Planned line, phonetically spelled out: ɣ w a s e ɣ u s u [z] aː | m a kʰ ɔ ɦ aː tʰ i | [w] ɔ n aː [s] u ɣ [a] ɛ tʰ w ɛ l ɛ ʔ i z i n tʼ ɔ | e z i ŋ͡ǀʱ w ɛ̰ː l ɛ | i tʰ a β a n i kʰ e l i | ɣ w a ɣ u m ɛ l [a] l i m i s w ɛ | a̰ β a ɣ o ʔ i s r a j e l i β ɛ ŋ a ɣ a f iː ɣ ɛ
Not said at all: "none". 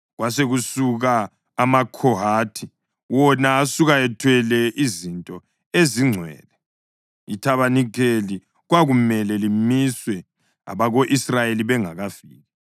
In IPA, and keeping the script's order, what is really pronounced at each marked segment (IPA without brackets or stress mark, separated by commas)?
ɣ, w, s, a, ɛ